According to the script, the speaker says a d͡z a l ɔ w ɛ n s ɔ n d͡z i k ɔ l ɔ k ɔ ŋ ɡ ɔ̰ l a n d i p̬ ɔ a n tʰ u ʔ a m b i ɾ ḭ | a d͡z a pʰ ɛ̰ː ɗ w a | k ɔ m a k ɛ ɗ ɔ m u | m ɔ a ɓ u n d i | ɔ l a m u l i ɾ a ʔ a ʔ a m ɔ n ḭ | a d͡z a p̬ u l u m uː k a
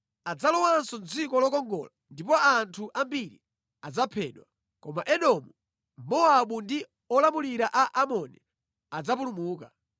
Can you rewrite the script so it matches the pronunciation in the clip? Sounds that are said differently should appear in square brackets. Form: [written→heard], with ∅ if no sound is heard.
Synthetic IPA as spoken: a d͡z a l ɔ w [ɛ→a] n s ɔ n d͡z i k ɔ l ɔ k ɔ ŋ ɡ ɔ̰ l a n d i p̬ ɔ a n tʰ u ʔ a m b i ɾ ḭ | a d͡z a pʰ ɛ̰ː ɗ w a | k ɔ m a [k→ʔ] ɛ ɗ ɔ m u | m ɔ a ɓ u n d i | ɔ l a m u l i ɾ a ʔ a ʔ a m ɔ n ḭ | a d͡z a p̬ u l u m uː k a